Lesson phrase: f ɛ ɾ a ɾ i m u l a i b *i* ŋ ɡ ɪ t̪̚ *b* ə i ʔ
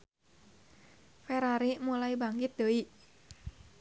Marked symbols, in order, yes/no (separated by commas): no, no